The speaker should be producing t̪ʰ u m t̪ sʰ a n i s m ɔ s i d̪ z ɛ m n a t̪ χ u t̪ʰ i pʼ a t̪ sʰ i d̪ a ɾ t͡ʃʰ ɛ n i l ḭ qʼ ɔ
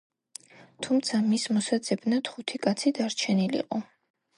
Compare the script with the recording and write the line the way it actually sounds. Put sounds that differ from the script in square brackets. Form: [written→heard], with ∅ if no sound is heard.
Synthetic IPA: t̪ʰ u m t̪ sʰ a [n→m] i s m ɔ s [i→a] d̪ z ɛ [m→b] n a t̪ χ u t̪ʰ i [pʼ→kʼ] a t̪ sʰ i d̪ a ɾ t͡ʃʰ ɛ n i l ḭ qʼ ɔ